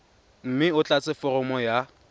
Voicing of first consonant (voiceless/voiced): voiced